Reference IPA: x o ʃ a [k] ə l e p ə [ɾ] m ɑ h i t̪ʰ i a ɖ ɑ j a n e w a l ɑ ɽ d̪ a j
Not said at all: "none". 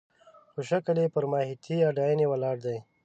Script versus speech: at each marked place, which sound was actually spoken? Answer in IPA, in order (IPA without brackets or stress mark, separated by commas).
k, ɾ